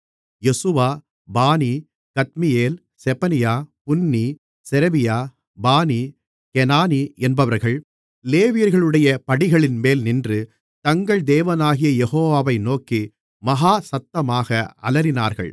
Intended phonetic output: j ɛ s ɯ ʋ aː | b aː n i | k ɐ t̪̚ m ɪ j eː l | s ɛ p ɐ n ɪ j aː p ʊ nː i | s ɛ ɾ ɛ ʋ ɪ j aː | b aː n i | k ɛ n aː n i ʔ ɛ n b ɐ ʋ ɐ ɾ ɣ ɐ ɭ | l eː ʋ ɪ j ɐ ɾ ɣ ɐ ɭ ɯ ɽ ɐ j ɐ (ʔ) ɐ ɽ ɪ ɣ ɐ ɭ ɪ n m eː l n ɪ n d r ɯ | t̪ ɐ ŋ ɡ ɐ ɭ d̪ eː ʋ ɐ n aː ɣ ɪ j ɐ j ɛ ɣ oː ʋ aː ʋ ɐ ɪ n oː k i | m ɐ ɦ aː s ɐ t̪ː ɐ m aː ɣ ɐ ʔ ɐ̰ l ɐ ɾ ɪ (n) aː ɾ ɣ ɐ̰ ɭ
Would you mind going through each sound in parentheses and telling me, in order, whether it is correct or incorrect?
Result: incorrect: p, correct

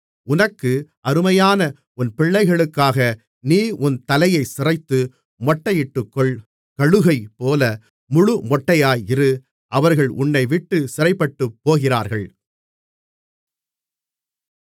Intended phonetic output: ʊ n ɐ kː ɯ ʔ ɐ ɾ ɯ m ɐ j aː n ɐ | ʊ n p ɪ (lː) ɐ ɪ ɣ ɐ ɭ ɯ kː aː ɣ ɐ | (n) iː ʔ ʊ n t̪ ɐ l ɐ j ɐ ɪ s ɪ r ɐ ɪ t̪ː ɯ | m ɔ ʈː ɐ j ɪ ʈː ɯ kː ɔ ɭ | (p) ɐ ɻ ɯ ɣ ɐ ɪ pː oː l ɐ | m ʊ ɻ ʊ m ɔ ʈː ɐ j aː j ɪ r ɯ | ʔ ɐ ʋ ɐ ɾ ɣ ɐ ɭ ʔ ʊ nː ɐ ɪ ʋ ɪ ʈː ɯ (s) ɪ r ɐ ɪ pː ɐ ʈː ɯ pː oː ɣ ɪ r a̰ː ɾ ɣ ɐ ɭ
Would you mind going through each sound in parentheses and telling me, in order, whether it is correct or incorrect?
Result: incorrect: ɭː, correct, incorrect: k, correct

